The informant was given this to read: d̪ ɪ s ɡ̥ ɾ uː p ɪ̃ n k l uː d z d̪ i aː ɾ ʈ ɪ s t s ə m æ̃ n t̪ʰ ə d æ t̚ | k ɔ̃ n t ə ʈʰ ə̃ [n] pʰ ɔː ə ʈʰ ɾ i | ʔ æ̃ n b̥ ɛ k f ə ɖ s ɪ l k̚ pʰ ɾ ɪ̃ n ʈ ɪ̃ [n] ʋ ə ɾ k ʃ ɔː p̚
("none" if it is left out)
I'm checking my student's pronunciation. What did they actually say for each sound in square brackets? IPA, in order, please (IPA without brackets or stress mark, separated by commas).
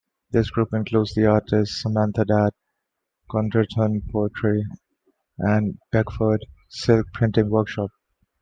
n, ŋ